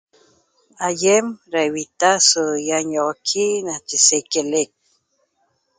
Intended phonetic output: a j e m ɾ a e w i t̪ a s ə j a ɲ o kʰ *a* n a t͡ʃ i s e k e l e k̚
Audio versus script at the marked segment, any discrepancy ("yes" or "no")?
yes